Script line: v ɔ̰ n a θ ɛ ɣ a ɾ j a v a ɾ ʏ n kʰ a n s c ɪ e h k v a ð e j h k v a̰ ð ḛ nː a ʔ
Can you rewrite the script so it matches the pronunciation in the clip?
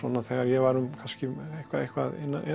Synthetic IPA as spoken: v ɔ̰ n a θ ɛ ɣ a ɾ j ɛ v a ɾ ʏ m kʰ a n s c ɪ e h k v a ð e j h k v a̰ ð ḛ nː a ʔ